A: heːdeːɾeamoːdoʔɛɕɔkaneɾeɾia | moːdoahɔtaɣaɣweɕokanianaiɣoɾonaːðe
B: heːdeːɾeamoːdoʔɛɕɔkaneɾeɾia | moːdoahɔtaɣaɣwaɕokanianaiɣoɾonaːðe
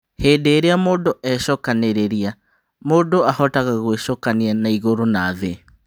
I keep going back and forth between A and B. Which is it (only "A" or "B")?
A